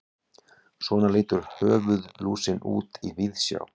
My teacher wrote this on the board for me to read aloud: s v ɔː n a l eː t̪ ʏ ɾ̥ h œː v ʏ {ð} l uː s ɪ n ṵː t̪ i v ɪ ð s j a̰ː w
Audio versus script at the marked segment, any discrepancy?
no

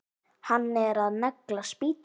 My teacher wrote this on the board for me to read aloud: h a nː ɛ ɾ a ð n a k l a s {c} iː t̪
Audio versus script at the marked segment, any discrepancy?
yes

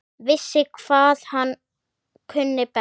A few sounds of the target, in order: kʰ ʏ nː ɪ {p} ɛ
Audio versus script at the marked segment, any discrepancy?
no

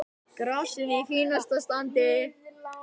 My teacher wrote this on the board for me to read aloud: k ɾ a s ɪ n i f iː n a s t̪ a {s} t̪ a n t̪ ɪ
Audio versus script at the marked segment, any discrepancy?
no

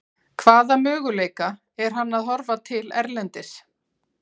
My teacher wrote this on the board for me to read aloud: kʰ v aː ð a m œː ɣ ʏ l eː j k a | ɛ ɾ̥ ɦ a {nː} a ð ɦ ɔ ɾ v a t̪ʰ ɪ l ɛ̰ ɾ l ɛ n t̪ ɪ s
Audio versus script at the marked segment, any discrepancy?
no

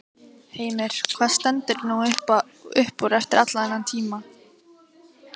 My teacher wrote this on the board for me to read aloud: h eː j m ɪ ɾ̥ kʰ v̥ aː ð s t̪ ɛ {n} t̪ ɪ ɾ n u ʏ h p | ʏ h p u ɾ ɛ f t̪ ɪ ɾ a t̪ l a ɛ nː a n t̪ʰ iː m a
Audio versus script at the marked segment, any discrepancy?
no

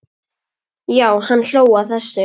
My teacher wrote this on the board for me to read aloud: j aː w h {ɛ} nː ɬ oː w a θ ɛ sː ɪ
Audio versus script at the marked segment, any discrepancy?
yes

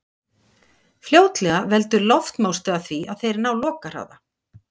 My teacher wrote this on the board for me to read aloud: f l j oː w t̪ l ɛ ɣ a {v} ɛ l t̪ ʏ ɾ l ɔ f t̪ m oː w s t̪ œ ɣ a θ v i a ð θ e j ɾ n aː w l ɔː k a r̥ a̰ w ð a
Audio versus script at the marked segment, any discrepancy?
no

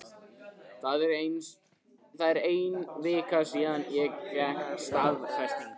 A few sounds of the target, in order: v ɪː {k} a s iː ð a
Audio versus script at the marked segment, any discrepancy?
no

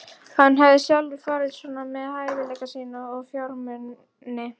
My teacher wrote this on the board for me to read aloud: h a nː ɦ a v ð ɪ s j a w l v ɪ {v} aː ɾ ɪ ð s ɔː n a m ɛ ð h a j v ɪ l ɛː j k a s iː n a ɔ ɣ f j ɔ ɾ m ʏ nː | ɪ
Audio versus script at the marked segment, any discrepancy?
yes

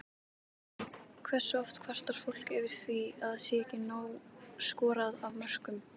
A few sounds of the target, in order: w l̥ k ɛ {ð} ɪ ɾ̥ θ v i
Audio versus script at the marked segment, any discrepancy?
yes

